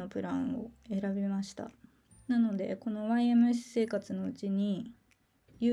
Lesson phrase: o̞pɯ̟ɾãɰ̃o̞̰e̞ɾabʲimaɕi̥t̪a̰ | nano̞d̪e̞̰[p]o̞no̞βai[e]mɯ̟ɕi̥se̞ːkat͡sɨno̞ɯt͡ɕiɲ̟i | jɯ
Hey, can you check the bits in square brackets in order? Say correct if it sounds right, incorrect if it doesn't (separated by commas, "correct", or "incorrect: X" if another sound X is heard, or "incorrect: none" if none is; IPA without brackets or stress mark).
incorrect: k, correct